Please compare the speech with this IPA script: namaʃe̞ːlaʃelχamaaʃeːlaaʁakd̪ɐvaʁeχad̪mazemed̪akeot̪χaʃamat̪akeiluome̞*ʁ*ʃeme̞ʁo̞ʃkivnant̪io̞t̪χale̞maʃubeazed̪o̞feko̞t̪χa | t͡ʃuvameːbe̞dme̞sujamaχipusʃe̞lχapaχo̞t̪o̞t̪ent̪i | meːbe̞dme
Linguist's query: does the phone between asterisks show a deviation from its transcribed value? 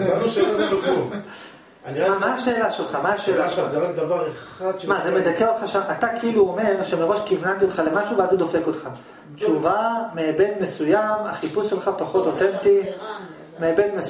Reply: no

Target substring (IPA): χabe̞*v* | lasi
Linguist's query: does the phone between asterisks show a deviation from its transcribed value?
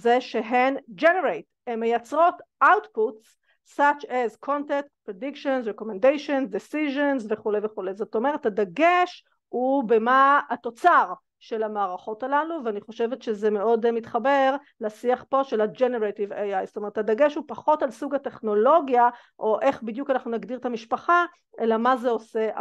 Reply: yes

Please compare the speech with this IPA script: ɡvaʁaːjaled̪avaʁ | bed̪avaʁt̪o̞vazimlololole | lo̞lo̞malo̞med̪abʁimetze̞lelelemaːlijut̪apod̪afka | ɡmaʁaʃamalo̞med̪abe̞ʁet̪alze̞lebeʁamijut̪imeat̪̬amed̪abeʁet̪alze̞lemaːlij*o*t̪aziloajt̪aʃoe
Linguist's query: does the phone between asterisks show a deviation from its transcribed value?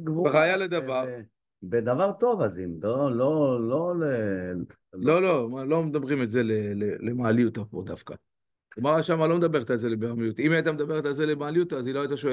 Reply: yes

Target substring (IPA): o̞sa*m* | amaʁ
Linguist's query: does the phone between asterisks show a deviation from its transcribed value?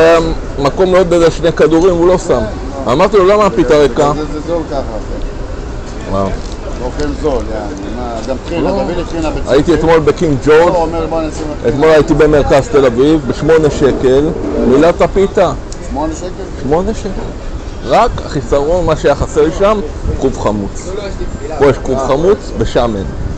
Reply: no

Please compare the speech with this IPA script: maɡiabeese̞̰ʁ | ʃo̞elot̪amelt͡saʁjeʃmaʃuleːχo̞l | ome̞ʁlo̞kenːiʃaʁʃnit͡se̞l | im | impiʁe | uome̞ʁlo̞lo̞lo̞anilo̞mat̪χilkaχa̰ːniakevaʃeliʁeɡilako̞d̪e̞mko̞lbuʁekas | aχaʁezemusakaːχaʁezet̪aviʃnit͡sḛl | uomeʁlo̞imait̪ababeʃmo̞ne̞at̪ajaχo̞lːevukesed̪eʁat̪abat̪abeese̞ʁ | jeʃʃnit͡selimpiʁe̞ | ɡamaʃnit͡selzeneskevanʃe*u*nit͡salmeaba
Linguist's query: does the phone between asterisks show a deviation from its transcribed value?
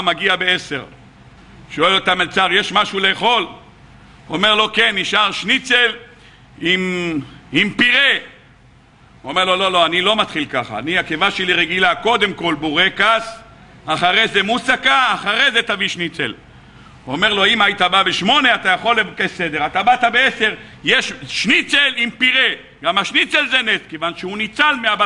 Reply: no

